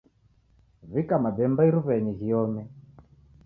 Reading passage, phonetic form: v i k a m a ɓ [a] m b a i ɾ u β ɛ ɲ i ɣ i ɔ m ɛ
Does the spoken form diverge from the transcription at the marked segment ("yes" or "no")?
yes